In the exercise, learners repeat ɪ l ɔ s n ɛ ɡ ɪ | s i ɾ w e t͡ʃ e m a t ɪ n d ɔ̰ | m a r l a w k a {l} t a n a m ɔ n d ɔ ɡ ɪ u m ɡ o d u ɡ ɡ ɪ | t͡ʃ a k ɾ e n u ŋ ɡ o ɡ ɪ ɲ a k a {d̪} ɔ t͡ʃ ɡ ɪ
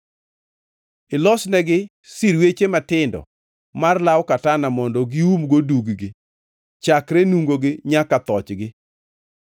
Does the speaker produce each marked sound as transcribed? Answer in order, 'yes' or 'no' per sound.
no, no

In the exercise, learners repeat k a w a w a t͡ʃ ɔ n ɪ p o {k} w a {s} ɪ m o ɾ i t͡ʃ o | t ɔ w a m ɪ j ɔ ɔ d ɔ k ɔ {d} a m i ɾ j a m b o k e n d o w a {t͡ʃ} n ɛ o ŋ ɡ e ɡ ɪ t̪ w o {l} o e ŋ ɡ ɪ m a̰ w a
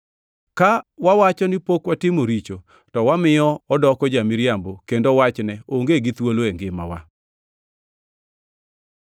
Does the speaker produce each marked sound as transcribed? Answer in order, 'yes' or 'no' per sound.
yes, no, no, yes, yes

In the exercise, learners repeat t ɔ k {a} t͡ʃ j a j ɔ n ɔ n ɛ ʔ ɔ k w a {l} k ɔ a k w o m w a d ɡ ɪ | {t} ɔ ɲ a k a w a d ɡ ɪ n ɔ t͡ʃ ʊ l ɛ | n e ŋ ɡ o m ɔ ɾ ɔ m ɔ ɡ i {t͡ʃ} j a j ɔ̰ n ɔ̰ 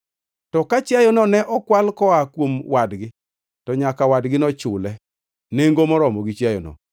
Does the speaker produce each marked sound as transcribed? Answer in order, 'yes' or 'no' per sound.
yes, yes, yes, yes

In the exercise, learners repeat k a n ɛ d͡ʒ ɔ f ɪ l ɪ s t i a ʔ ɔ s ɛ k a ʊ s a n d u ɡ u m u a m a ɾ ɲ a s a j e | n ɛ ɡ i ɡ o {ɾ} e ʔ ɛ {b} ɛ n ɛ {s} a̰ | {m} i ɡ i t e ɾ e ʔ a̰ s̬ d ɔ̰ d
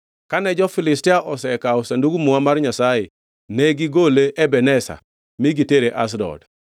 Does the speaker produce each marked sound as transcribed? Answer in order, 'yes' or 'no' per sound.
no, yes, yes, yes

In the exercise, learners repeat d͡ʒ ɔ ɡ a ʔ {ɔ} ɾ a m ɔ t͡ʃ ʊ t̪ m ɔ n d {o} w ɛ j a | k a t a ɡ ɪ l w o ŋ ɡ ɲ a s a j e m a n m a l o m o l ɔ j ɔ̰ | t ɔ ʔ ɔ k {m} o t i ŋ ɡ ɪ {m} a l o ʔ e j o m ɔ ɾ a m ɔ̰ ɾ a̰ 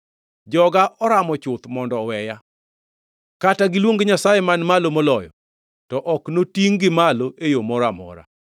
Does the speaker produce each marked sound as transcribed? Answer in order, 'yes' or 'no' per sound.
yes, no, no, yes

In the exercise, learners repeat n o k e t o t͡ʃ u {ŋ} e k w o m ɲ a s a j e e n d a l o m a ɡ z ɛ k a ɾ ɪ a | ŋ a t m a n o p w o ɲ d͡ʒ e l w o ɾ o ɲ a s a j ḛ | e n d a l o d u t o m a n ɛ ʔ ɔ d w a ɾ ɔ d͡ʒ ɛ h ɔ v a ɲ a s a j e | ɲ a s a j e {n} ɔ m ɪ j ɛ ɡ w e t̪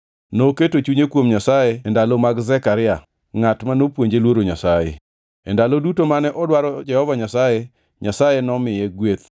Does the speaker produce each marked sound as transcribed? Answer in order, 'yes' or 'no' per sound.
no, yes

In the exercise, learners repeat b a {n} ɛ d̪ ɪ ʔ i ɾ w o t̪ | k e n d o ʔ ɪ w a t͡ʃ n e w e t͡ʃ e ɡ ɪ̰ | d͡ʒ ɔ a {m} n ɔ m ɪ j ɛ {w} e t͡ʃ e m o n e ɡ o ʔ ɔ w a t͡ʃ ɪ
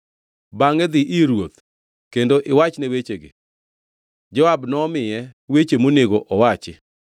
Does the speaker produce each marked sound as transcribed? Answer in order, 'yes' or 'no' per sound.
no, no, yes

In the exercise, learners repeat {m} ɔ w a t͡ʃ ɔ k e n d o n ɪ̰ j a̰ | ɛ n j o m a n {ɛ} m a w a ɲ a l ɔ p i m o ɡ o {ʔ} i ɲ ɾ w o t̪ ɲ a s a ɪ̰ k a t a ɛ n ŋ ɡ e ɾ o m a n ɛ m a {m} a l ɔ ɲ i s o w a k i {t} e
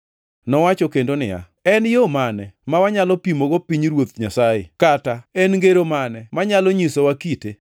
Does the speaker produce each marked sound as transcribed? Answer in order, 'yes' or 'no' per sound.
no, yes, no, no, yes

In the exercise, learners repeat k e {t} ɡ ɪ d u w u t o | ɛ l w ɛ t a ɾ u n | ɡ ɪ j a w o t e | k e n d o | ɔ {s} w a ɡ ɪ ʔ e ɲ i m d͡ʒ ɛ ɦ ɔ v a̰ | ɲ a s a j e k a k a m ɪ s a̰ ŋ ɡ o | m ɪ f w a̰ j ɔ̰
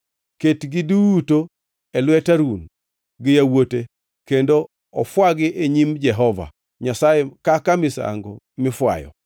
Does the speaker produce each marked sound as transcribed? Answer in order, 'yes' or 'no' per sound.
yes, no

